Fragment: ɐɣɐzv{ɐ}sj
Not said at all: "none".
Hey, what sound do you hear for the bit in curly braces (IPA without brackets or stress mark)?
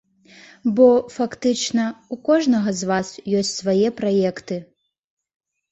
a